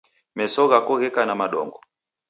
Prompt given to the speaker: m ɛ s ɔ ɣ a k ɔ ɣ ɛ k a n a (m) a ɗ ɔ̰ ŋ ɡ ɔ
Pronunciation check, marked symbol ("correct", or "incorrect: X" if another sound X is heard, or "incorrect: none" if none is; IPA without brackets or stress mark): correct